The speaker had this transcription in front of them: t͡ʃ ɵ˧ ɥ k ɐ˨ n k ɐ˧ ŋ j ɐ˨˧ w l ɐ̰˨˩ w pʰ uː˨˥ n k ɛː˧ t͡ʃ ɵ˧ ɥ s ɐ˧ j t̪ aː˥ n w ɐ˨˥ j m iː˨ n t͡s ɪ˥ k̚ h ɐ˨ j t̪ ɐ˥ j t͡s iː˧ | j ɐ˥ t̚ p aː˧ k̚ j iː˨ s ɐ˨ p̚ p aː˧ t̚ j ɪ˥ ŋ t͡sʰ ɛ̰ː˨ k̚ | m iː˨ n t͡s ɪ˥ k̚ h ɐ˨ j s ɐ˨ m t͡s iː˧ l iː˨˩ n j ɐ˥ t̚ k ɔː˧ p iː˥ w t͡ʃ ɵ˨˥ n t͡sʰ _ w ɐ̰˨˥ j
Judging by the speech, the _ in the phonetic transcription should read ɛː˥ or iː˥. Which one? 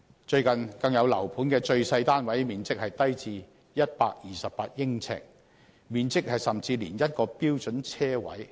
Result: ɛː˥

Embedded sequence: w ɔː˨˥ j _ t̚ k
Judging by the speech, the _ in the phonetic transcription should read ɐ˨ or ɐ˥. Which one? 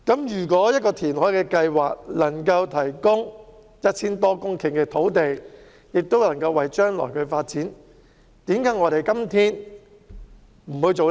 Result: ɐ˥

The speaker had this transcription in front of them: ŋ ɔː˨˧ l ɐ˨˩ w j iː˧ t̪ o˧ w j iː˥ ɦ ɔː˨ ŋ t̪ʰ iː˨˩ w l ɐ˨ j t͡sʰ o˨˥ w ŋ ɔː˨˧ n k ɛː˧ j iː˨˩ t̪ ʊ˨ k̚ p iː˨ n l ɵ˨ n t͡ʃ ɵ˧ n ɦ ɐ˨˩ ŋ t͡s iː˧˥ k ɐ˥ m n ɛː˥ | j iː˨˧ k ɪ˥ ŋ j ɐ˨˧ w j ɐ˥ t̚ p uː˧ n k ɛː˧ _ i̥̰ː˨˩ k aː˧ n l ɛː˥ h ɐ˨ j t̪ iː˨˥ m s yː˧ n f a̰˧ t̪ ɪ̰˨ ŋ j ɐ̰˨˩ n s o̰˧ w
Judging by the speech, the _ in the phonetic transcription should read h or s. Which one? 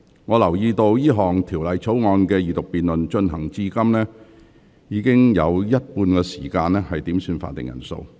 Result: s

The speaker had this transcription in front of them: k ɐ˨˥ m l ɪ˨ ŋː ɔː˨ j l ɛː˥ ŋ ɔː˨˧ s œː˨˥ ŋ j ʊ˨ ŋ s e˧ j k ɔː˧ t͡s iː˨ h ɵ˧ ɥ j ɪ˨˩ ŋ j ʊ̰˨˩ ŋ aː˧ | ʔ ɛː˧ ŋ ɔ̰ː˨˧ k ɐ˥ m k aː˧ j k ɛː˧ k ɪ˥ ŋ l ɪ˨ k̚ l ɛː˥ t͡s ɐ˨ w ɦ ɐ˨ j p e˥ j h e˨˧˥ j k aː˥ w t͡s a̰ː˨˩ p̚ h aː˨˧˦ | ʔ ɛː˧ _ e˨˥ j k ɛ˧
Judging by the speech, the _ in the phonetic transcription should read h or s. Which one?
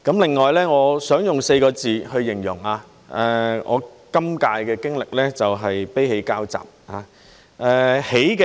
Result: h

